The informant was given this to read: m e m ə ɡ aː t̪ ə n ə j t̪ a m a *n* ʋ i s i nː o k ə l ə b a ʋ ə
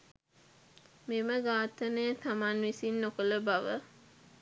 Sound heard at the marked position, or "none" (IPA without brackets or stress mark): n